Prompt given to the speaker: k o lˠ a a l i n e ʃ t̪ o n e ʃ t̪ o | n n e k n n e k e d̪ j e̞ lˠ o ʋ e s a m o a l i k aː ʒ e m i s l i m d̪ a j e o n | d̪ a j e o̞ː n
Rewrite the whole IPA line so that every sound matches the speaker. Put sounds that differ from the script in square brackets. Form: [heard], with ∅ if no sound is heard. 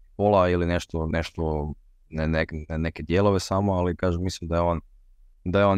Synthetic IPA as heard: [p] o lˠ a [i] l i n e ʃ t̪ o n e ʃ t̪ o | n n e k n n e k e d̪ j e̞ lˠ o ʋ e s a m o a l i k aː ʒ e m i s l i m d̪ a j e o n | d̪ a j e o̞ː n